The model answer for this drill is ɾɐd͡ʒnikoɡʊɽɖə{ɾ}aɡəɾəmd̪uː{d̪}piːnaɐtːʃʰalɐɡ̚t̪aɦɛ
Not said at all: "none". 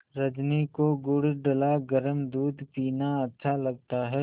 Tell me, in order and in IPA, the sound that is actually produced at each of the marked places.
l, d̪

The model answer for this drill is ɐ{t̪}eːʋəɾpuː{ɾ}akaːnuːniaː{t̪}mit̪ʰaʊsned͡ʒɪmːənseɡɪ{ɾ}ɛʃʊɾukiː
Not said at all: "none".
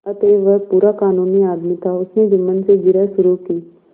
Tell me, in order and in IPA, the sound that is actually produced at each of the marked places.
t̪, ɾ, d̪, ɾ

